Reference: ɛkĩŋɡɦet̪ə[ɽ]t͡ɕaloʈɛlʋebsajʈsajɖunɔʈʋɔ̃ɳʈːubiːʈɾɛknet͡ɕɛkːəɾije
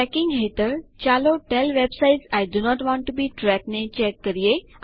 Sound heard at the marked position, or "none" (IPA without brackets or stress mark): ɾ